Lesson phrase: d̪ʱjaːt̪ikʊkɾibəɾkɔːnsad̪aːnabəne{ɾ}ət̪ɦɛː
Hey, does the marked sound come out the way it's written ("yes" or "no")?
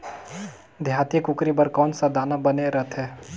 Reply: yes